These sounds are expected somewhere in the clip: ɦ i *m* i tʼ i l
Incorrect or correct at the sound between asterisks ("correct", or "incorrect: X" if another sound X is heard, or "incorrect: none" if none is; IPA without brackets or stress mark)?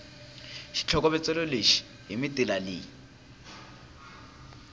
correct